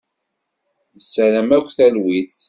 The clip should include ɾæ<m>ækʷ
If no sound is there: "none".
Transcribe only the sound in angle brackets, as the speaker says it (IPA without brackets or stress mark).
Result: m